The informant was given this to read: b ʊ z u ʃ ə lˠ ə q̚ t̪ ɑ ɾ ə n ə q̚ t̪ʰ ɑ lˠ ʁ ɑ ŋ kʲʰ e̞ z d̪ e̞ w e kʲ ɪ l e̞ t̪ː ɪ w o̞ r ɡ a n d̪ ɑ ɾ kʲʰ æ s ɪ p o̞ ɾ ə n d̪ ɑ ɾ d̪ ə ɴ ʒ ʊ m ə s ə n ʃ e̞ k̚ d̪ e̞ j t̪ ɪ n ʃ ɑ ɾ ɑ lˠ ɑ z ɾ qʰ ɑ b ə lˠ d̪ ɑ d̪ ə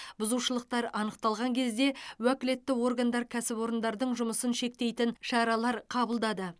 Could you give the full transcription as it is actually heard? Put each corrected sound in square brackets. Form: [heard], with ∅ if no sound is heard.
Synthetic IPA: b ʊ z u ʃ ə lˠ ə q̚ t̪ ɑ ɾ [ɑ] n ə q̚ [t̪] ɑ lˠ ʁ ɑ ŋ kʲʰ e̞ z d̪ e̞ w [æ] kʲ ɪ l e̞ t̪ː ɪ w o̞ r ɡ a n d̪ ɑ ɾ kʲʰ æ s ɪ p o̞ ɾ ə n d̪ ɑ ɾ d̪ ə ɴ ʒ ʊ m ə s ə n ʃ e̞ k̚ [t̪] e̞ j t̪ ɪ n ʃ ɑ ɾ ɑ lˠ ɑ [∅] ɾ qʰ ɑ b ə lˠ d̪ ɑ d̪ ə